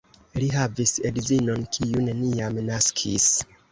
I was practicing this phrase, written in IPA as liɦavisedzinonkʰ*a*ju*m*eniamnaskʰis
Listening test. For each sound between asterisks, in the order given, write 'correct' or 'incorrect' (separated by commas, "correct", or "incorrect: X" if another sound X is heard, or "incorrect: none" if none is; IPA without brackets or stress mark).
incorrect: i, incorrect: n